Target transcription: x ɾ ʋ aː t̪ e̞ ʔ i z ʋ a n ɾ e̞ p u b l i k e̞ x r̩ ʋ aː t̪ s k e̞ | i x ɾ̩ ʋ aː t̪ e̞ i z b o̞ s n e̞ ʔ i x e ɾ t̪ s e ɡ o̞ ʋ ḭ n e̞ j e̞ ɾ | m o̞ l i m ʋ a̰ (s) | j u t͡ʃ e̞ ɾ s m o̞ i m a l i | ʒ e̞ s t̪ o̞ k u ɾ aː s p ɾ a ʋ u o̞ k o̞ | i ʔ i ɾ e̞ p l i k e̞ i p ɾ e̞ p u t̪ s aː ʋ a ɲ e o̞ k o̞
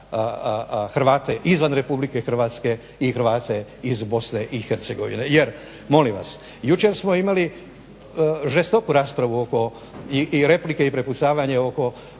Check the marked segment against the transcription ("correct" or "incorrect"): correct